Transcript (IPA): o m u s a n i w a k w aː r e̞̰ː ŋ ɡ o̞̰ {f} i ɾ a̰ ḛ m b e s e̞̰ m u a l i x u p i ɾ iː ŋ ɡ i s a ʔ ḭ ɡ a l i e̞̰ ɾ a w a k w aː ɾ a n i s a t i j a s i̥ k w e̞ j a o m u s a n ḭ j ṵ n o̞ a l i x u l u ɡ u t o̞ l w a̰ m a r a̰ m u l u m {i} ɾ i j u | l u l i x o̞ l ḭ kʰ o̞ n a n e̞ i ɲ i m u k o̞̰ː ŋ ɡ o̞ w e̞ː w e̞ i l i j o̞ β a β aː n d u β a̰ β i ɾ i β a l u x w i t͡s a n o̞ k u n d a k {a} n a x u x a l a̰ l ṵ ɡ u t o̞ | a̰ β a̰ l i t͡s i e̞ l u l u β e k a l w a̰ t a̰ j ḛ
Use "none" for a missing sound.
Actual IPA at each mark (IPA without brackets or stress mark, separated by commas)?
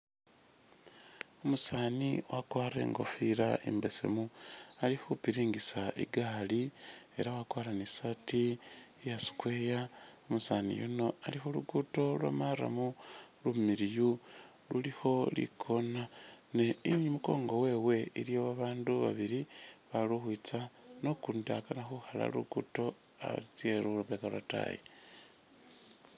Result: f, i, a